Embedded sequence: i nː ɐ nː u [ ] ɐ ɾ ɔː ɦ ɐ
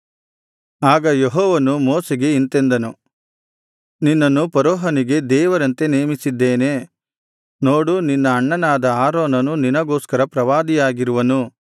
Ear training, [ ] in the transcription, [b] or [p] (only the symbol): p